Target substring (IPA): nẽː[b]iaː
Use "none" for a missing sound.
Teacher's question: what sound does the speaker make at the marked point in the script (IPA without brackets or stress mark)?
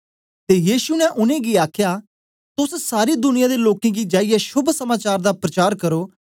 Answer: ɡ